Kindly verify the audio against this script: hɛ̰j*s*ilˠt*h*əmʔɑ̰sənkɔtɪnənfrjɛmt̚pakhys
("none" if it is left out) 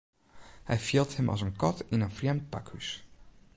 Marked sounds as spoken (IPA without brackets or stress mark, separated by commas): f, h